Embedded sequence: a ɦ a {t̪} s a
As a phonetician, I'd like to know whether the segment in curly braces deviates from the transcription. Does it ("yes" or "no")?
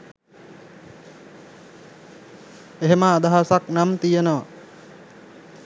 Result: yes